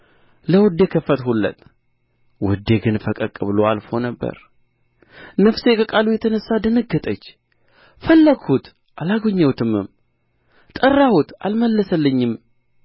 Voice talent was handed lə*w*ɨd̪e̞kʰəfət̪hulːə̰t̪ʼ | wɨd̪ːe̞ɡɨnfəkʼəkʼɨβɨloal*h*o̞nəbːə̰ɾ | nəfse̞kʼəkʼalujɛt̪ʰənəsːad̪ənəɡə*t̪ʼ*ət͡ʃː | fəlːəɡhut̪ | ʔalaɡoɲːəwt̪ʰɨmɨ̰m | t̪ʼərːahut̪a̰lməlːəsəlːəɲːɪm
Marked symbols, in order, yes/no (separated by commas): yes, no, yes